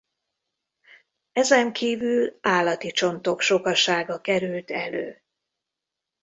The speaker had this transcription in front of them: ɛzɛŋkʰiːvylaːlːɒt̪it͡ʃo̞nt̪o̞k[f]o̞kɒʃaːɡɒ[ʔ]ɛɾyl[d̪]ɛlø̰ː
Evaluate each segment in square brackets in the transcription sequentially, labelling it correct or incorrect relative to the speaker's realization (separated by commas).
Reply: incorrect, incorrect, incorrect